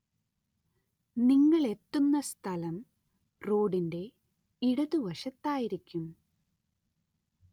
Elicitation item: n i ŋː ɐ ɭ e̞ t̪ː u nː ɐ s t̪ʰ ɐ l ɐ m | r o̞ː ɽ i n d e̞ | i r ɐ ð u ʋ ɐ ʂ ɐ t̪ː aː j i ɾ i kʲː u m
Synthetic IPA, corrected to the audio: n i ŋː ɐ ɭ e̞ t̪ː u nː ɐ s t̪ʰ ɐ l ɐ m | r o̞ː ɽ i n d e̞ | i ɽ ɐ ð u ʋ ɐ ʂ ɐ t̪ː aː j i ɾ i kʲː u m